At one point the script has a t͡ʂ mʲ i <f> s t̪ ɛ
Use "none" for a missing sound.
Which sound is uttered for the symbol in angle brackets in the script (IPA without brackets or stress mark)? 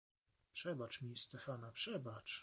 none